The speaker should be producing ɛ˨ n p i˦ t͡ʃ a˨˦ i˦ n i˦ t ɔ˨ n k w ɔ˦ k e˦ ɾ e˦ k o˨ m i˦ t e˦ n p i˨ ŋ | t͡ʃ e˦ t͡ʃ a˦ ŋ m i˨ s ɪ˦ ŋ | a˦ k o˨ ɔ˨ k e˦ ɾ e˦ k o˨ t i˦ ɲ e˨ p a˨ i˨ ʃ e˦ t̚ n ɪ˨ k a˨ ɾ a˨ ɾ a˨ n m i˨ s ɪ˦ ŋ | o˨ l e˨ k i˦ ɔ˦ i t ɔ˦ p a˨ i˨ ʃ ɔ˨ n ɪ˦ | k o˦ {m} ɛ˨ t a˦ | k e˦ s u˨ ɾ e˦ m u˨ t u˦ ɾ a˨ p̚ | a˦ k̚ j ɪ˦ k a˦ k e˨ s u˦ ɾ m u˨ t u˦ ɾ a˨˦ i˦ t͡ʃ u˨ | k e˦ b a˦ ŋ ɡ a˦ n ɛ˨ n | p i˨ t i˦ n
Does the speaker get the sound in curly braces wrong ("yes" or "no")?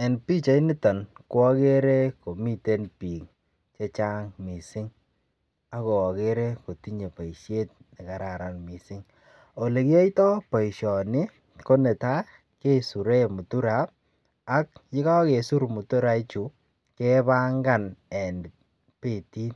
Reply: yes